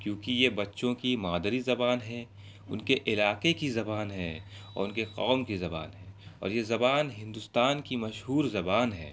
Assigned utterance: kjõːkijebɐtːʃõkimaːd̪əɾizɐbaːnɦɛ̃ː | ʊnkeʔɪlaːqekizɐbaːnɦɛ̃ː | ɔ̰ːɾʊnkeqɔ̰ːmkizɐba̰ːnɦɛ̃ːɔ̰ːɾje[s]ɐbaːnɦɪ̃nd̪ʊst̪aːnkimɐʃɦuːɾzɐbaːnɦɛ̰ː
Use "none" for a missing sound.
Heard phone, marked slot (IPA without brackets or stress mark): z